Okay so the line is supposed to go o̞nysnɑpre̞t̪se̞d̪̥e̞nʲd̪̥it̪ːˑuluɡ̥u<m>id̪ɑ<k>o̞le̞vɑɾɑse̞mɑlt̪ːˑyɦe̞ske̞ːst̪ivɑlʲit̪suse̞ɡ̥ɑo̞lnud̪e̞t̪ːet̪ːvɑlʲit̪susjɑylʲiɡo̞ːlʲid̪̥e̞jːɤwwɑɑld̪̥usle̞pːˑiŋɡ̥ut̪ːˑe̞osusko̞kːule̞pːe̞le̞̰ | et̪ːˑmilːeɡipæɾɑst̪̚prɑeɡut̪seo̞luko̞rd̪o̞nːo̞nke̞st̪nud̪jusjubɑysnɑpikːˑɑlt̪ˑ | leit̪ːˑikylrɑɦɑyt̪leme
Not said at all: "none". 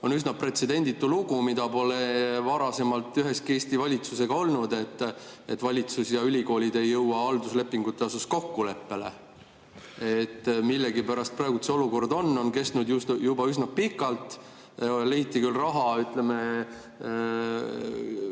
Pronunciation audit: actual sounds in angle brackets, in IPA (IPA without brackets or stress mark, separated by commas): m, p